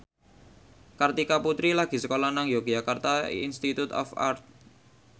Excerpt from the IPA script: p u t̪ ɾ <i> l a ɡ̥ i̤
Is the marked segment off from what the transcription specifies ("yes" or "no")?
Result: no